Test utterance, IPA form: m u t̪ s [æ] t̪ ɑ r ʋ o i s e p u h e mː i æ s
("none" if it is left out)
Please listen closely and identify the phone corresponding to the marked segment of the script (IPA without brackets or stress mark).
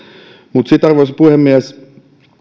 i